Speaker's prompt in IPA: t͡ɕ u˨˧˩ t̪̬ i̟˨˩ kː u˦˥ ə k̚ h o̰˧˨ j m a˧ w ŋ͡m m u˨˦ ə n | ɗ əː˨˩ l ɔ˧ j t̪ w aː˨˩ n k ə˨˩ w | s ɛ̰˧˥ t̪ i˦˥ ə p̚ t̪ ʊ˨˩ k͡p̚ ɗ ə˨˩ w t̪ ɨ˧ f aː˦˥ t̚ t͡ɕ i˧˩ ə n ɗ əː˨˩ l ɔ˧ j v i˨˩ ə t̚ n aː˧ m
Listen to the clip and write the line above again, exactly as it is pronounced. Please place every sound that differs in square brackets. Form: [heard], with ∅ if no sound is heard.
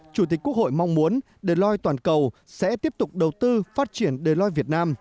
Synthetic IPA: t͡ɕ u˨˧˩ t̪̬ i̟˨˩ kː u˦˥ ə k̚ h o̰˧˨ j m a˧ w ŋ͡m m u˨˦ ə n | ɗ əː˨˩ l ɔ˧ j t̪ w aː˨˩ n k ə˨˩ w | s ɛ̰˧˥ t̪ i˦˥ ə p̚ t̪ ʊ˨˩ k͡p̚ ɗ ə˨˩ w t̪ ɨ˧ f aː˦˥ t̚ t͡ɕ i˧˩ ə n ɗ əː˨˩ l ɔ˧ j v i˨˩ ə t̚ n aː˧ m